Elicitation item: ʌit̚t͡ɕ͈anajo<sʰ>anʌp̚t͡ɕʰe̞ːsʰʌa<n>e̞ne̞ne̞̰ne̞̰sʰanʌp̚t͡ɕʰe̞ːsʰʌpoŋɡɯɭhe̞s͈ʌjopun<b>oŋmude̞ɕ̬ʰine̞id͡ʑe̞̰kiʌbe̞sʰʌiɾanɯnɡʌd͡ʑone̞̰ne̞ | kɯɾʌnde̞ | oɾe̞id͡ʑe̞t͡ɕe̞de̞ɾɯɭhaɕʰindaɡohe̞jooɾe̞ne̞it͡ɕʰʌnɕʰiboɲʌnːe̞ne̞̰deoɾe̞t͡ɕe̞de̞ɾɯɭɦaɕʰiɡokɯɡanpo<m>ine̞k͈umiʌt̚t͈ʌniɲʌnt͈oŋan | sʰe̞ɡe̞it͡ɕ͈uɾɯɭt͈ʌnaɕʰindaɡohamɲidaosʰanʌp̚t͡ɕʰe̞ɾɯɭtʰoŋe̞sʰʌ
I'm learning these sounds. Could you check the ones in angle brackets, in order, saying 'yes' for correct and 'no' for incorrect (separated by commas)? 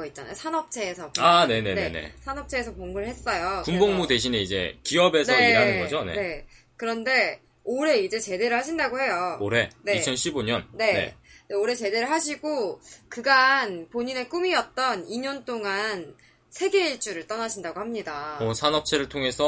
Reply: yes, yes, yes, no